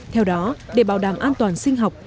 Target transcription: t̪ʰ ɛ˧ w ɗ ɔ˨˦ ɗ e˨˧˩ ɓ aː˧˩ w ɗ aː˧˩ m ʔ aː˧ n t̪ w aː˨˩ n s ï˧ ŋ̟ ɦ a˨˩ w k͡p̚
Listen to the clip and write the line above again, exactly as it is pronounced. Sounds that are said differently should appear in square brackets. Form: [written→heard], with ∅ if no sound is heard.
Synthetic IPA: t̪ʰ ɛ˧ w ɗ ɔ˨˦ ɗ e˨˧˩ ɓ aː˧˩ w ɗ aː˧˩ m ʔ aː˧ n t̪ w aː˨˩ n s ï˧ ŋ̟ ɦ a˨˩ w k͡p̚